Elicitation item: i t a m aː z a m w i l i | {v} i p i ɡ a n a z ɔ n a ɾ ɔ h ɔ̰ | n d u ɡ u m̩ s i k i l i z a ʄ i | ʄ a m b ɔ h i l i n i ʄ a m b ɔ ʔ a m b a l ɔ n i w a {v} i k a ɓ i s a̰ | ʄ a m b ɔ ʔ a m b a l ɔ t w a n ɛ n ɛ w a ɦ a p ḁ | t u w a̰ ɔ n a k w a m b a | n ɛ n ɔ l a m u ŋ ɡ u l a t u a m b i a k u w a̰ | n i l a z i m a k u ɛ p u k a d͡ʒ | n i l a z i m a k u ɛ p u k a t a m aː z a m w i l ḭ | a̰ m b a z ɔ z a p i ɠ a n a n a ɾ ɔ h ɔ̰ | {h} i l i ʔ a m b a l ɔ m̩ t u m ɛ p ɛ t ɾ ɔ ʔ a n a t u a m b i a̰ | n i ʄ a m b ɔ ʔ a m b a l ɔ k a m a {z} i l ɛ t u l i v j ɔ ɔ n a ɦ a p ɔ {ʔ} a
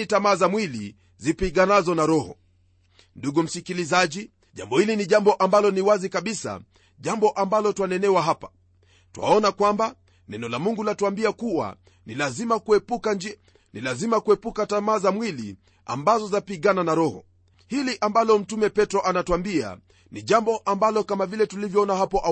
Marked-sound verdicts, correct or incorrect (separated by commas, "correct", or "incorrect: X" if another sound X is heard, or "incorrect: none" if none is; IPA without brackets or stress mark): incorrect: z, incorrect: z, correct, incorrect: v, correct